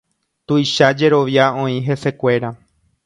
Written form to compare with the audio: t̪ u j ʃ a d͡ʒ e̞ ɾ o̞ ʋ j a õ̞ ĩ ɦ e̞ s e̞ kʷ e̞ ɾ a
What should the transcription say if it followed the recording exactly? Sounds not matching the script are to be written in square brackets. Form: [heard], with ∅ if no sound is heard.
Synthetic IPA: t̪ u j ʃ a d͡ʒ e̞ ɾ o̞ ʋ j a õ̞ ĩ ɦ e̞ s e̞ kʷ e̞ ɾ a